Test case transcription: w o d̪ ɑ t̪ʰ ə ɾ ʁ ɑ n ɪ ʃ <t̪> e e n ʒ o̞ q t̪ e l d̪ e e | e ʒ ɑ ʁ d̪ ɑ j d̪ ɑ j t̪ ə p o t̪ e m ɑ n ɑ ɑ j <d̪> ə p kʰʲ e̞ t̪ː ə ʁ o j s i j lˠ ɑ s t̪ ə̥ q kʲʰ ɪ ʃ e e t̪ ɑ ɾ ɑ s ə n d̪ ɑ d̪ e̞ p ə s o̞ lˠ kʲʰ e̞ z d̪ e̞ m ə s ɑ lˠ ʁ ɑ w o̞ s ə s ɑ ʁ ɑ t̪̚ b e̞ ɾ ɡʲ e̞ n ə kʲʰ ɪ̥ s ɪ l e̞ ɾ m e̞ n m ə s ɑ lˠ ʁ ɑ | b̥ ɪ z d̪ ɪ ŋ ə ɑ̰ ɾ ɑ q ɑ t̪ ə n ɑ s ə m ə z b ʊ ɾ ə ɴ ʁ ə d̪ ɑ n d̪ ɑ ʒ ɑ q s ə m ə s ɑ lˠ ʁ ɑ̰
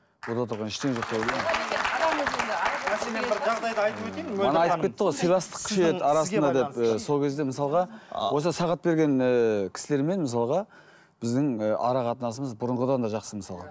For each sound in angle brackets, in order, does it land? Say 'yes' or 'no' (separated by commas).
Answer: yes, no